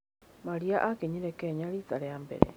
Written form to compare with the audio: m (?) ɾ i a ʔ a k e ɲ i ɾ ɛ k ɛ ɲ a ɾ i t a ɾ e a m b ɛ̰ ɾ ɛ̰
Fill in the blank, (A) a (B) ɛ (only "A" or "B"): A